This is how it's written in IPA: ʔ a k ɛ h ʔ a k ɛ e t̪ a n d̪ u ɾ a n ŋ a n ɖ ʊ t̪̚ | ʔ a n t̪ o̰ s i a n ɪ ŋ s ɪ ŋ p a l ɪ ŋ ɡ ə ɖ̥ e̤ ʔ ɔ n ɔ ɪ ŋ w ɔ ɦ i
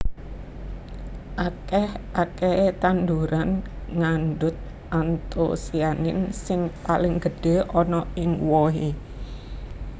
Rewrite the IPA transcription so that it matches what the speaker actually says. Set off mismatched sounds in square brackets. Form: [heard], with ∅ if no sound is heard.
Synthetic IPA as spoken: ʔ a k ɛ h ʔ a k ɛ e t̪ a n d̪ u ɾ a n ŋ a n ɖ ʊ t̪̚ | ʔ a n t̪ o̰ s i a n ɪ [n] s ɪ ŋ p a l ɪ ŋ ɡ ə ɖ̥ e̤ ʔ ɔ n ɔ ɪ ŋ w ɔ ɦ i